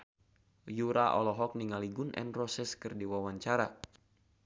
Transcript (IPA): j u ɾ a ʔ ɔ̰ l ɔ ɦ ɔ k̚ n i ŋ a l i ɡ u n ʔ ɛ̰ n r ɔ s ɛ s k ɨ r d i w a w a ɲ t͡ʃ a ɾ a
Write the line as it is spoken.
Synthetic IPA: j u ɾ a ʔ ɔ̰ l ɔ ɦ ɔ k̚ n i ŋ a l i ɡ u n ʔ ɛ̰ n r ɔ s ɛ s k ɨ r d i w a w a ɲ t͡ʃ a ɾ a